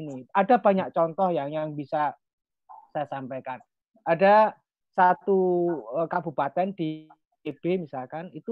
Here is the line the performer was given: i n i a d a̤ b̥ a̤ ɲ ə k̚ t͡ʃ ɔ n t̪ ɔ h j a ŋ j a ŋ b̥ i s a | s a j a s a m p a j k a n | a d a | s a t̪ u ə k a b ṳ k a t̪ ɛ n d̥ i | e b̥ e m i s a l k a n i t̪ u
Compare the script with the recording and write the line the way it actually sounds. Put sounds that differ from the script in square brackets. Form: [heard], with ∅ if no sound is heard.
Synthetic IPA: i n i a d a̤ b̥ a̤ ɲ [a] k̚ t͡ʃ ɔ n t̪ ɔ h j a ŋ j a ŋ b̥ i s a | s a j a s a m p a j k a n | a d a | s a t̪ u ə k a b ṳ [p] a t̪ ɛ n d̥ i | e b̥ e m i s a l k a n i t̪ u